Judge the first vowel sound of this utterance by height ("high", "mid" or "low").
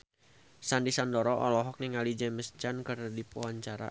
low